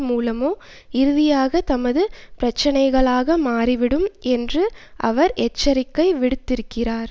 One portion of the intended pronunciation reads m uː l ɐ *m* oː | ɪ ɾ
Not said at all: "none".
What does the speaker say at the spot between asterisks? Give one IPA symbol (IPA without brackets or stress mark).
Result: m